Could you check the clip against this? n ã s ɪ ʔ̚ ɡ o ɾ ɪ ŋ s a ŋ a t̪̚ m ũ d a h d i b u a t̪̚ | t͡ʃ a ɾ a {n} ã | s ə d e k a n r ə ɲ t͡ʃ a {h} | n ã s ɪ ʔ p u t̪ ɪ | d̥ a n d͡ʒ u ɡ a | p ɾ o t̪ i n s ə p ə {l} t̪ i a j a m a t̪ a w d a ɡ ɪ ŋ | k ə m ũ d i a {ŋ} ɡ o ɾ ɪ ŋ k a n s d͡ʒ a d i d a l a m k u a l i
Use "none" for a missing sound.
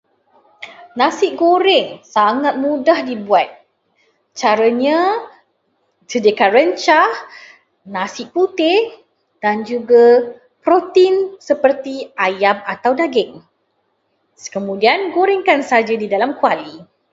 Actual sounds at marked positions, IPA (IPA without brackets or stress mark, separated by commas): ɲ, h, r, n